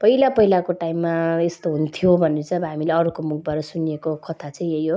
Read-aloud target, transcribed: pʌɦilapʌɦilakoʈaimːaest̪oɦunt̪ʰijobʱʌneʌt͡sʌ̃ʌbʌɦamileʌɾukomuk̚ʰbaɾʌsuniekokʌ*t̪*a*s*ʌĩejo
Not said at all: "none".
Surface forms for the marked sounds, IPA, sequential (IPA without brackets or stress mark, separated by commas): t̪ʰ, t͡s